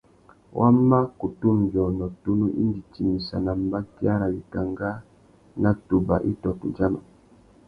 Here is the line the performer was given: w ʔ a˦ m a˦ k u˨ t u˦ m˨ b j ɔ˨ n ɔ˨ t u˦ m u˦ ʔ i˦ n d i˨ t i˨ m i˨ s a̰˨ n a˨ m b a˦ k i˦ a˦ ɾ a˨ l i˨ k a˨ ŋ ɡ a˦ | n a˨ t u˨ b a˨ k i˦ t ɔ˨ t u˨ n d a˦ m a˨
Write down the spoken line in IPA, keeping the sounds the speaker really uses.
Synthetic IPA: w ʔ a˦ m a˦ k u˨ t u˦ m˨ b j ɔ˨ n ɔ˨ t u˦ n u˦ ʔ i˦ n d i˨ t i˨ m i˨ s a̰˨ n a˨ m b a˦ k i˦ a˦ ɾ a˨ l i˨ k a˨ ŋ ɡ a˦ | n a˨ t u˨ b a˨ ʔ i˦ t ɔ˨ t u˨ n d͡ʒ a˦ m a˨